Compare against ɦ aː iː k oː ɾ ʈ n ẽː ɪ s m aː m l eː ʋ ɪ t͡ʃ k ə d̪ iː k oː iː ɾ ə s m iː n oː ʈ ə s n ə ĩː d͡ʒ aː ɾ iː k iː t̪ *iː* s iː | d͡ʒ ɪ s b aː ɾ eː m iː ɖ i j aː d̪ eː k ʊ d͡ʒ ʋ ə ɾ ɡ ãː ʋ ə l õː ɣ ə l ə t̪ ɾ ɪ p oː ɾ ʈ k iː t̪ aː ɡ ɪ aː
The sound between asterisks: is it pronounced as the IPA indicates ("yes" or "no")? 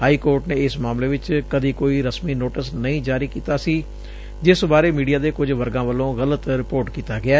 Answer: no